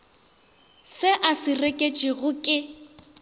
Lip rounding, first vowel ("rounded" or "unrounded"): unrounded